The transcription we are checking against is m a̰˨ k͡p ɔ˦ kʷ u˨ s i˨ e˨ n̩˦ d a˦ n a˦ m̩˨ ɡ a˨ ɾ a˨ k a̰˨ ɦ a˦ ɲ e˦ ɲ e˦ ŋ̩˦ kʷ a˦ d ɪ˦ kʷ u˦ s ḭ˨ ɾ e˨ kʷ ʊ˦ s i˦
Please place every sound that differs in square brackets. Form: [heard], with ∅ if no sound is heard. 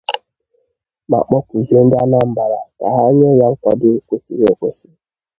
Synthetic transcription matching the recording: m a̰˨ k͡p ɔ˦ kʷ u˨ [z] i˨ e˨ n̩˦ d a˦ n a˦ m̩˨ [b] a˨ ɾ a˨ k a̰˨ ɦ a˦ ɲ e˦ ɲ [a˦] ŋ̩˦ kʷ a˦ d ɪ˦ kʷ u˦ s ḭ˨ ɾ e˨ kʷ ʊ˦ s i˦